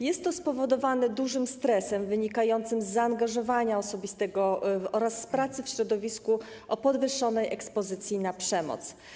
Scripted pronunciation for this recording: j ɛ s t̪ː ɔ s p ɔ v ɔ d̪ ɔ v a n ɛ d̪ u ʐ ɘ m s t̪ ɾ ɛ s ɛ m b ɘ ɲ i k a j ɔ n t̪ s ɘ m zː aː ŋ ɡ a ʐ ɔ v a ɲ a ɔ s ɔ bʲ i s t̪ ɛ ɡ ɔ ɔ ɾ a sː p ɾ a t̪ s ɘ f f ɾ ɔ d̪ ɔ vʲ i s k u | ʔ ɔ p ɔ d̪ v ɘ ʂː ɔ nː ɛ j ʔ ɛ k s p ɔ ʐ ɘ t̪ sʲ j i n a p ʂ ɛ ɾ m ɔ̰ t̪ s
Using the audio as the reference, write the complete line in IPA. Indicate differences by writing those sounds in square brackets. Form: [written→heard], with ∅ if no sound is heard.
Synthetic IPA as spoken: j ɛ s t̪ː ɔ s p ɔ v ɔ d̪ ɔ v a n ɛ d̪ u ʐ ɘ m s t̪ ɾ ɛ s ɛ m [b→v] ɘ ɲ i k a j ɔ n t̪ s ɘ m zː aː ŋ ɡ a ʐ ɔ v a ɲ a ɔ s ɔ bʲ i s t̪ ɛ ɡ ɔ ɔ ɾ a sː p ɾ a t̪ s ɘ f [f→ɕ] ɾ ɔ d̪ ɔ vʲ i s k u | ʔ ɔ p ɔ d̪ v ɘ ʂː ɔ [nː→n] ɛ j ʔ ɛ k s p ɔ [ʐ→z] ɘ t̪ sʲ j i n a p ʂ ɛ [ɾ→∅] m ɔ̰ t̪ s